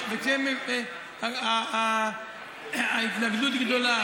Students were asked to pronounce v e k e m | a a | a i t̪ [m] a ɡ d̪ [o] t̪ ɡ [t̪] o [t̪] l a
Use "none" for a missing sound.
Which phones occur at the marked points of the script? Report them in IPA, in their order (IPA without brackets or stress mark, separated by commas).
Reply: n, u, d̪, none